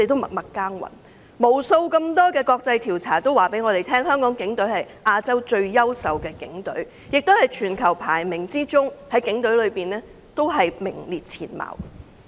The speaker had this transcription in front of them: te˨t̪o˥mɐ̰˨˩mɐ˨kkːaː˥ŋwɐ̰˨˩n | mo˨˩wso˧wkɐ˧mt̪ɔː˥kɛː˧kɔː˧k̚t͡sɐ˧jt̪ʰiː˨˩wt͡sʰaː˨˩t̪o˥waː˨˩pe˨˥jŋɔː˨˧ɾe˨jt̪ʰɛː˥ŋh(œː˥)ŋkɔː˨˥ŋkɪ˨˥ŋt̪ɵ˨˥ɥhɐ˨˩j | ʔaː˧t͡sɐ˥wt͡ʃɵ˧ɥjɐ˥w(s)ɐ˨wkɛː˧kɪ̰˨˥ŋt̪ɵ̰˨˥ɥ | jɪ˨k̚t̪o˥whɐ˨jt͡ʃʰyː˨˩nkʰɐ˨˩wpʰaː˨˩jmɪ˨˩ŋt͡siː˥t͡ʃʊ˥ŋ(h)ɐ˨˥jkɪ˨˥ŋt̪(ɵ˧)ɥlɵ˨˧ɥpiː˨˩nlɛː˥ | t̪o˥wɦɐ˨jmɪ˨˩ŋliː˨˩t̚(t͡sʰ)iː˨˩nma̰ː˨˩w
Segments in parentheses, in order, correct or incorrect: correct, correct, correct, incorrect: ɵ˨˥, correct

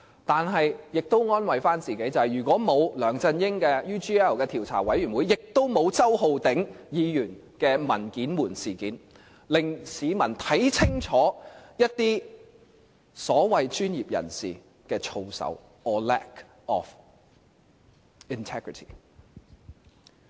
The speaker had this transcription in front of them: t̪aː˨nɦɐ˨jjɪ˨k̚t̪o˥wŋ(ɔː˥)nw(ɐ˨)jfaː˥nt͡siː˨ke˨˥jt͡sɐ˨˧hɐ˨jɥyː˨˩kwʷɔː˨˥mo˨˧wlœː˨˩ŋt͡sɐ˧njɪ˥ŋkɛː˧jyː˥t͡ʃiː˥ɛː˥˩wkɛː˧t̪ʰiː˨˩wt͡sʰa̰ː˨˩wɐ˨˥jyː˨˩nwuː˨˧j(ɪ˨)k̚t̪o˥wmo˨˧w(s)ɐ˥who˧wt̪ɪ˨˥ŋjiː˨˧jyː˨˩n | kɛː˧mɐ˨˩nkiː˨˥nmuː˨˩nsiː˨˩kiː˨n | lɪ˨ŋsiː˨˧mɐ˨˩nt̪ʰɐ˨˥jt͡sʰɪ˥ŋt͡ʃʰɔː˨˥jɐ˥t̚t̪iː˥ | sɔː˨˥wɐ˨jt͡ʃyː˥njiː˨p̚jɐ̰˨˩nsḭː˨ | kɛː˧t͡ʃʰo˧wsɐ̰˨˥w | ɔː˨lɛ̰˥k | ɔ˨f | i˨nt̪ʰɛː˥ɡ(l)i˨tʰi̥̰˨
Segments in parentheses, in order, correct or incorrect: correct, correct, correct, incorrect: t͡s, incorrect: ɹ

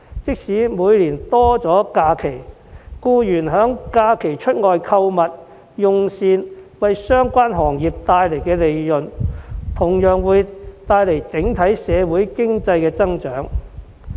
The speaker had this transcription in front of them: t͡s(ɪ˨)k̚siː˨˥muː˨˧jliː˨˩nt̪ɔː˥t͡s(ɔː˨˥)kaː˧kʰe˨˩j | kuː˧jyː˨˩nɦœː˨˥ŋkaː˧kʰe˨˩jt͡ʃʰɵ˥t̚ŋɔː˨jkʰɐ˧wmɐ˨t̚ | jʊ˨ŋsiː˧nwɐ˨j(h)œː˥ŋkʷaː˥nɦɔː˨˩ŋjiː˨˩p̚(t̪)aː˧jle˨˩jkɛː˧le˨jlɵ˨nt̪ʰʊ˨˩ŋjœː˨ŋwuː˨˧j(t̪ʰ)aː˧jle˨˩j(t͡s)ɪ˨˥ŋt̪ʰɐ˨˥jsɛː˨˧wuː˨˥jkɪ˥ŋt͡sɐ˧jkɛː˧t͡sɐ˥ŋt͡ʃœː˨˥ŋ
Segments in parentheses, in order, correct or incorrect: incorrect: ɪ˥, correct, incorrect: s, correct, incorrect: t̪, correct

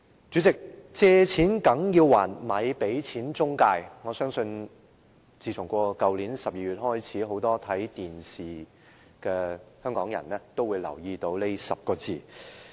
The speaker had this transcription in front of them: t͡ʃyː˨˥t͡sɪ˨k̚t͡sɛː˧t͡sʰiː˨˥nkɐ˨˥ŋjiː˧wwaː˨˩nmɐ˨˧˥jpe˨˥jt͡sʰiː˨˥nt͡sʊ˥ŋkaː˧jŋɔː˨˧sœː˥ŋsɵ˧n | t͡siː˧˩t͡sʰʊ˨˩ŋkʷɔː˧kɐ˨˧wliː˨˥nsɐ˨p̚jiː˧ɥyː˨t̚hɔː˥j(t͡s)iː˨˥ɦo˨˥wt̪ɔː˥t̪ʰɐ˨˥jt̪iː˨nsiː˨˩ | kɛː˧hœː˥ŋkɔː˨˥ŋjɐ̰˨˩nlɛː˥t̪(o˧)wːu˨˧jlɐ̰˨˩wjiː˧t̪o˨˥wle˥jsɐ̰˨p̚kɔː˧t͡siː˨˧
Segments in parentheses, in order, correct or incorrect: incorrect: t͡sʰ, incorrect: o˥

